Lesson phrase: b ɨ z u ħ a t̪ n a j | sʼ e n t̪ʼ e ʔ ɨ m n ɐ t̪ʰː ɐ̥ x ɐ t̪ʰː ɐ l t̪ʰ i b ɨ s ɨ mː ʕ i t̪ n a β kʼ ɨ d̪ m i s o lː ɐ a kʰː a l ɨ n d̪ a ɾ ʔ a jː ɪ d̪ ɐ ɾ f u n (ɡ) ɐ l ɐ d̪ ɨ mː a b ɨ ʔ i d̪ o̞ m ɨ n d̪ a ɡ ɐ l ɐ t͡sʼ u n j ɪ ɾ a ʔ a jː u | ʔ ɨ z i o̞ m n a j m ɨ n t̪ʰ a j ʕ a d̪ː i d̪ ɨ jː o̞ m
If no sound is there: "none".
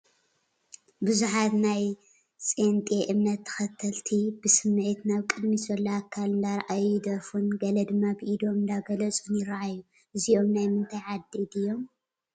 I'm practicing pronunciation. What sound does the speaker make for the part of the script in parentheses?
ɡ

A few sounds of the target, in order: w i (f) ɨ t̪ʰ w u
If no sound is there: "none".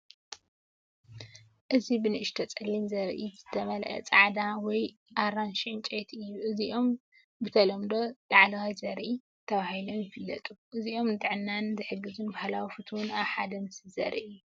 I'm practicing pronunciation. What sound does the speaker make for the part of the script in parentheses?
f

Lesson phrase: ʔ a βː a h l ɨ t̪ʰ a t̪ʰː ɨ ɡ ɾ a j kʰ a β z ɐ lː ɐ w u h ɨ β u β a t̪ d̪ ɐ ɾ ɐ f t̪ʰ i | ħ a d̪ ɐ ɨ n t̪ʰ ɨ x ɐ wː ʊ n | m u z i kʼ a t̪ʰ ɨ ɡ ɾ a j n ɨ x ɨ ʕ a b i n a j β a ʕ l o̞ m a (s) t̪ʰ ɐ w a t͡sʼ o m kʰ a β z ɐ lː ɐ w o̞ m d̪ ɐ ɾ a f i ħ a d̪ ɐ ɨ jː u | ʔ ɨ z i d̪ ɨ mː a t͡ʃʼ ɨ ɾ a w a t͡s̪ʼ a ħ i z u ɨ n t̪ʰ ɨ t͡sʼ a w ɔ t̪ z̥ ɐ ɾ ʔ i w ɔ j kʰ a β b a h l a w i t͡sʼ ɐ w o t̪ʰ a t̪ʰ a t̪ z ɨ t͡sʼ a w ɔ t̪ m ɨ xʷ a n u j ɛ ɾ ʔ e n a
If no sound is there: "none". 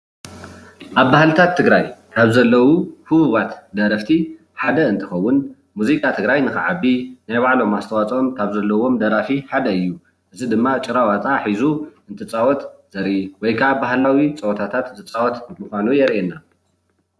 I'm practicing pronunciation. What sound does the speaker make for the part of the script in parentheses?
s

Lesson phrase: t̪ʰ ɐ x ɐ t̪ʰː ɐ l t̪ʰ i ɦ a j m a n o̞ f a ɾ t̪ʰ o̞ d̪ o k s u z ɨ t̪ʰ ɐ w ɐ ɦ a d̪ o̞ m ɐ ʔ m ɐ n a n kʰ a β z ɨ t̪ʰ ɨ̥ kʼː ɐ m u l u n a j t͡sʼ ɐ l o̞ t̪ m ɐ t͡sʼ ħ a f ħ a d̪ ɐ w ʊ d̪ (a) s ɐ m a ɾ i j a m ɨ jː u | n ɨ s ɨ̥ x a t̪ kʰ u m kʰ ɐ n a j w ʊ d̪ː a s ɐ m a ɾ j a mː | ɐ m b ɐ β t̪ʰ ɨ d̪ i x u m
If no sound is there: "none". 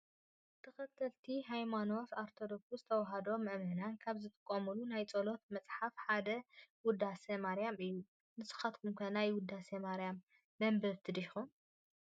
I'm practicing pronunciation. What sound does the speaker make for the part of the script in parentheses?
a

